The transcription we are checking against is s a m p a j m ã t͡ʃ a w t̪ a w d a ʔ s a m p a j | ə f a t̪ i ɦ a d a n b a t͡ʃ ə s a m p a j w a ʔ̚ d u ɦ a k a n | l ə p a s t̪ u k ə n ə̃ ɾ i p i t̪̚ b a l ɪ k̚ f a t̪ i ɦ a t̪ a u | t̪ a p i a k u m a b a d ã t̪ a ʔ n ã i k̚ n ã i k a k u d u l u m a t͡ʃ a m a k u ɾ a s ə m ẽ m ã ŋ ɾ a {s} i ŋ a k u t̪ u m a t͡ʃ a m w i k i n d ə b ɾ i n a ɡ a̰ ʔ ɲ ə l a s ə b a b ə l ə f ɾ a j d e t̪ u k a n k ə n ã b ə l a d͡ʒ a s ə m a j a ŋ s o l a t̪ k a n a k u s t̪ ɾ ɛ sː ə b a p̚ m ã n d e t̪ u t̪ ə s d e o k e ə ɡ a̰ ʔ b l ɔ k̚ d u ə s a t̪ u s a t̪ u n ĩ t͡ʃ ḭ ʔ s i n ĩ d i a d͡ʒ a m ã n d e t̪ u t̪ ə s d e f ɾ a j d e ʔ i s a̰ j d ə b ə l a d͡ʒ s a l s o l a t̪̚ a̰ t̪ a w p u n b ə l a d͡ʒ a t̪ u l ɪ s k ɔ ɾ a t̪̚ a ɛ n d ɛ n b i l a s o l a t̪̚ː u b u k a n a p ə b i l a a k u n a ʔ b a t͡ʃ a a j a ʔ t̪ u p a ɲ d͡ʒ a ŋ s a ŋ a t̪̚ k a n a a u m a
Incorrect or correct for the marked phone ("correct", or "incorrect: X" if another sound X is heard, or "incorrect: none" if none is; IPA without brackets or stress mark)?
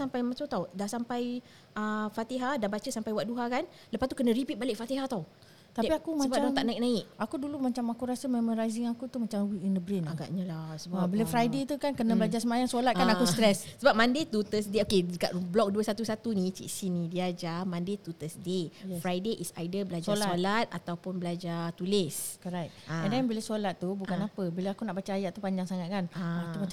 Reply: incorrect: z